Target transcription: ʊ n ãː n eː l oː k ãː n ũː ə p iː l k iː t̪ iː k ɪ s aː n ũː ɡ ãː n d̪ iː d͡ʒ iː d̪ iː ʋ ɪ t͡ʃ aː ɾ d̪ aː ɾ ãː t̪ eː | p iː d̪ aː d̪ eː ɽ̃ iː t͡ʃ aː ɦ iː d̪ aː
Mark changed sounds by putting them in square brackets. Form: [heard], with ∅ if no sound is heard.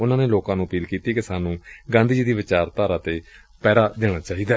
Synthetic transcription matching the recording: ʊ n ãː n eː l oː k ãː n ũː ə p iː l k iː t̪ iː k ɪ s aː n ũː ɡ ãː n d̪ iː d͡ʒ iː d̪ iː ʋ ɪ t͡ʃ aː ɾ [t̪] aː ɾ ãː t̪ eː | p [ɛː] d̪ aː d̪ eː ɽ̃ [aː] t͡ʃ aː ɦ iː d̪ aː